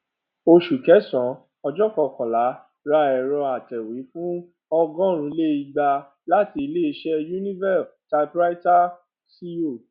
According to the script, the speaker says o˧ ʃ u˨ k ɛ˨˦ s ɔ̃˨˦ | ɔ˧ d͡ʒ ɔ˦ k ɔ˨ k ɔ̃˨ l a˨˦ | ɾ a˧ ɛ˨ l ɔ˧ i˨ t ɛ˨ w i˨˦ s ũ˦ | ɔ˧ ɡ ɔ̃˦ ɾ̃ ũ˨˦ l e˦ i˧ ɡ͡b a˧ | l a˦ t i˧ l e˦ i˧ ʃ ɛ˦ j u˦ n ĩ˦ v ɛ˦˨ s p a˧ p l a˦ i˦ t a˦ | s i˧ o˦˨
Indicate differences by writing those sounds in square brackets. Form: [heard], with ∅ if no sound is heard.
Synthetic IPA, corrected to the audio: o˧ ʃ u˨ k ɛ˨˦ s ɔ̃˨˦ | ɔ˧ d͡ʒ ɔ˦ k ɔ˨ k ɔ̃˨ l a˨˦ | ɾ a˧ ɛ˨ [ɾ] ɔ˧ [a˨] t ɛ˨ w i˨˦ [f] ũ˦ | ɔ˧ ɡ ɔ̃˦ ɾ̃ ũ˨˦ l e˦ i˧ ɡ͡b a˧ | l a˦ t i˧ l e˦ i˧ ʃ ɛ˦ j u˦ n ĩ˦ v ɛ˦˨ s [t] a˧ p [ɾ] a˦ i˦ t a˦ | s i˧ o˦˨